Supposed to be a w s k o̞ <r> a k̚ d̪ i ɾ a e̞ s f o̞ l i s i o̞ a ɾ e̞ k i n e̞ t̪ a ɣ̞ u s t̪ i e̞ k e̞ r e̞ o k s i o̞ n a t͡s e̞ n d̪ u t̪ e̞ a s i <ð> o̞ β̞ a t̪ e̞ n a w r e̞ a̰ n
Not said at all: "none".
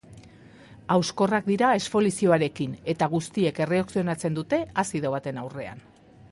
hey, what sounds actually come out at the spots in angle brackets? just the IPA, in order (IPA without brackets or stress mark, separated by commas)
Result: r, ð